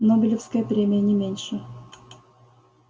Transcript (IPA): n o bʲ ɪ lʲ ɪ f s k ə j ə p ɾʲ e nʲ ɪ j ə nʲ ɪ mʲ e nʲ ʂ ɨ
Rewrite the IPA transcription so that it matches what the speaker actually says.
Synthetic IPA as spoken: n o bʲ ɪ lʲ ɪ f s k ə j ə p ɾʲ e mʲ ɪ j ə nʲ ɪ mʲ e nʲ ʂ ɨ